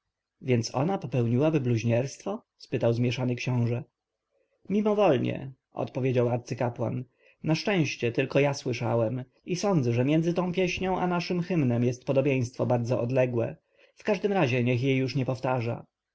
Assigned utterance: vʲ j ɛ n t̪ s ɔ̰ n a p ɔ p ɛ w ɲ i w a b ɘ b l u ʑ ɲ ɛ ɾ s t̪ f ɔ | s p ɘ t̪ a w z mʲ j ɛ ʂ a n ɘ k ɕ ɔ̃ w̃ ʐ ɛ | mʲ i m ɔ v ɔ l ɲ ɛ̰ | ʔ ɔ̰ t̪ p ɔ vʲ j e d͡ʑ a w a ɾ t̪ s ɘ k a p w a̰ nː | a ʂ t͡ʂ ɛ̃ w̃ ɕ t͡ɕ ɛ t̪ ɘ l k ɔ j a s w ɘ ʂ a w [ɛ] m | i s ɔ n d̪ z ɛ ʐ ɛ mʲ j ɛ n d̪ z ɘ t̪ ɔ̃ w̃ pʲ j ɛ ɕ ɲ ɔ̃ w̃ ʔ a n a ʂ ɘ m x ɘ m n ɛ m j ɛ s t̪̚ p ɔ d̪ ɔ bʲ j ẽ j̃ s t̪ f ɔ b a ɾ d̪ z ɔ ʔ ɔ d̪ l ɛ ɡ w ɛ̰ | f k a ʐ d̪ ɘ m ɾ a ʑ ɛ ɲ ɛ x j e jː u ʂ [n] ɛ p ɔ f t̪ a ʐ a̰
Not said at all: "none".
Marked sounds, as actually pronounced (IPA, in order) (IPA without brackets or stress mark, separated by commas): ɛ, ɲ